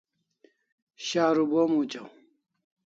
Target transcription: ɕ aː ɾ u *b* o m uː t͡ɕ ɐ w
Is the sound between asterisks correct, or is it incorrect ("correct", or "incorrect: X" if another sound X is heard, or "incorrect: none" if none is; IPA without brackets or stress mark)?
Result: correct